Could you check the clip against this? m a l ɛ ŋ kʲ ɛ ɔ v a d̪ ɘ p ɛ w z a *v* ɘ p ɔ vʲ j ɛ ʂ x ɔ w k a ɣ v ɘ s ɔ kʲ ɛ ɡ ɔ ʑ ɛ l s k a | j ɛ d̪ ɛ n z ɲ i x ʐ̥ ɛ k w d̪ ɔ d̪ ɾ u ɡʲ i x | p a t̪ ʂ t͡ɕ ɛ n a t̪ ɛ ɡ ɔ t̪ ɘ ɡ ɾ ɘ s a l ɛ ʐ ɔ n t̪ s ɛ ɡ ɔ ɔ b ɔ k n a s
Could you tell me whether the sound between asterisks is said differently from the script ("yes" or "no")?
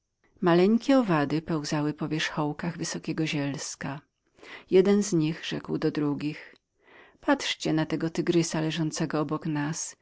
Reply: yes